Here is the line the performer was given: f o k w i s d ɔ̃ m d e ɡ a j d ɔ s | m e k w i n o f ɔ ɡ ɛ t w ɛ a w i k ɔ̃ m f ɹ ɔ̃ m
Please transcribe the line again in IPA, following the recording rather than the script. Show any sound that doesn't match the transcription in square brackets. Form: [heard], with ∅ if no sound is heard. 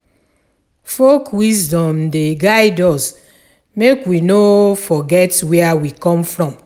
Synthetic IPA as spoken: f o k w i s d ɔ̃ m d e ɡ a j d ɔ s | m e k w i n o f ɔ ɡ ɛ t w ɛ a w i k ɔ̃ m f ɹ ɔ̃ m

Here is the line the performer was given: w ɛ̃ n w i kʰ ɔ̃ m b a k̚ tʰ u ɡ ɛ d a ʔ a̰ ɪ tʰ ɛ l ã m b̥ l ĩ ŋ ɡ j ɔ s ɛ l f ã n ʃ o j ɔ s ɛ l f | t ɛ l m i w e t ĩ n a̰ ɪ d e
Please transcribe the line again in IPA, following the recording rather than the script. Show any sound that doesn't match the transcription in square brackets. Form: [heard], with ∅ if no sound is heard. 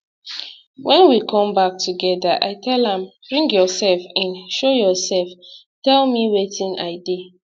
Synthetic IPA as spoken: w ɛ̃ n w i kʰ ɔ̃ m b a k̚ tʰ u ɡ ɛ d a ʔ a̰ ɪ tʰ ɛ l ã m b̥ [ɹ] ĩ ŋ ɡ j ɔ s ɛ l f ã n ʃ o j ɔ s ɛ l f | t ɛ l m i w e t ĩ n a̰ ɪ d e

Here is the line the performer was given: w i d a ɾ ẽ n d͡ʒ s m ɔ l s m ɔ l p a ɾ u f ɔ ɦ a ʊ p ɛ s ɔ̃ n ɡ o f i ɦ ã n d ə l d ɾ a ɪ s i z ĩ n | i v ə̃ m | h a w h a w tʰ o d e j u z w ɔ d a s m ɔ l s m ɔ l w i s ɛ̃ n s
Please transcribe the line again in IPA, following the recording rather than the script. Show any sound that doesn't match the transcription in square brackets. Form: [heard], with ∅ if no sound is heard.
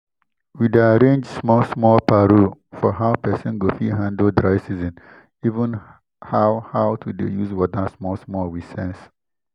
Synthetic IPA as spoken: w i d a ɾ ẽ n d͡ʒ s m ɔ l s m ɔ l p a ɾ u f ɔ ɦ a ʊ p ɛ s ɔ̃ n ɡ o f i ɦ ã n d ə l d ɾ a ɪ s i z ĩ n | i v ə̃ [n] | h a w h a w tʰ [u] d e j u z w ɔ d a s m ɔ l s m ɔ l w i s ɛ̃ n s

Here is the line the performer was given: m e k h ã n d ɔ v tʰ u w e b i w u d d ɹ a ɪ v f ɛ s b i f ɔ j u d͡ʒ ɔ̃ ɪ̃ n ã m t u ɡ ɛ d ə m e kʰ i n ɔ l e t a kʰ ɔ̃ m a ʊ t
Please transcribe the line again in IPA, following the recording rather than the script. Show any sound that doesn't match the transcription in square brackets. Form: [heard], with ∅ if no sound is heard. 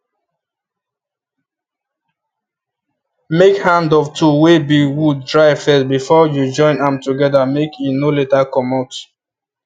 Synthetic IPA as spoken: m e k h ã n d ɔ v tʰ u w e b i w u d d ɹ a ɪ v f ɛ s b i f ɔ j u d͡ʒ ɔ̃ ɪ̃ n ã m t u ɡ ɛ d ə m e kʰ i n [o] l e t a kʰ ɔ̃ m a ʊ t

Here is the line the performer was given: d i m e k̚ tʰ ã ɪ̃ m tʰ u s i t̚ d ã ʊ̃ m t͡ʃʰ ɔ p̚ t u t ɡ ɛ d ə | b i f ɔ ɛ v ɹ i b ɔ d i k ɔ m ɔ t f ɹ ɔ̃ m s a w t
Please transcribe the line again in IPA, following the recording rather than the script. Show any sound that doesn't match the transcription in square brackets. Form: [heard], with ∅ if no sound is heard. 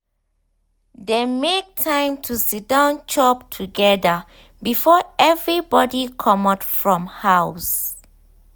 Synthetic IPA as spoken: d [e] m e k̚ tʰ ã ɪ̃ m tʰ u s i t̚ d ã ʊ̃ [n] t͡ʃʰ ɔ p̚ [tʰ] u [∅] ɡ ɛ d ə | b i f ɔ ɛ v ɹ i b ɔ d i [kʰ] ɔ m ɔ t f ɹ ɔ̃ m [h] a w [s]

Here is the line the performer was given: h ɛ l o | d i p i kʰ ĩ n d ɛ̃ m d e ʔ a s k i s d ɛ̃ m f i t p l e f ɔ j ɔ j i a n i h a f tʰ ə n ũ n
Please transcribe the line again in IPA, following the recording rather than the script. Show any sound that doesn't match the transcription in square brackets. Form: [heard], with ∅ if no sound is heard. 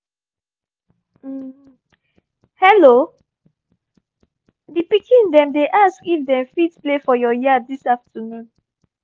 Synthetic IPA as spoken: h ɛ l o | d i p i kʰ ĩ n d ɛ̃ m d e ʔ a s k i [f] d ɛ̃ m f i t p l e f ɔ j ɔ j i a [d] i [s] a f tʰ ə n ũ n

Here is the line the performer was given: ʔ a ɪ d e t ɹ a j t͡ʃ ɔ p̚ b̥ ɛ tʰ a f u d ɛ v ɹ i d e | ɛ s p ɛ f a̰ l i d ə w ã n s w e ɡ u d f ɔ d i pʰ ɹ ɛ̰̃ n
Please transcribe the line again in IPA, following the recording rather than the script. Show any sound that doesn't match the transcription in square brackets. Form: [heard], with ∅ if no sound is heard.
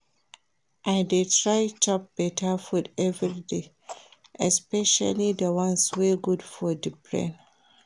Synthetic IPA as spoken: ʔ a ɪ d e t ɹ a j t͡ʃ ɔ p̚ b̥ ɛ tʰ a f u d ɛ v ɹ i d e | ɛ s p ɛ [ʃ] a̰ l i d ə w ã n s w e ɡ u d f ɔ d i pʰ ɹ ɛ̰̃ n

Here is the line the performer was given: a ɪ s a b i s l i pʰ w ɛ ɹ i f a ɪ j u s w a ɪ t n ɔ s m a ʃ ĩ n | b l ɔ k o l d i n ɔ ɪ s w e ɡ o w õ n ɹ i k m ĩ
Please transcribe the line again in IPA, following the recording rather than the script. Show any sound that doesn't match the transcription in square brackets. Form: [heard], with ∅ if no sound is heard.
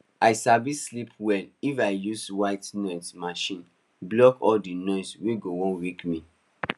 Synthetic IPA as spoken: a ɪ s a b i s l i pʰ w ɛ [l] i f a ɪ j u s w a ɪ t n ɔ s m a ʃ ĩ n | b l ɔ k [ɔ] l d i n ɔ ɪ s w e ɡ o w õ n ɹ i k m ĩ

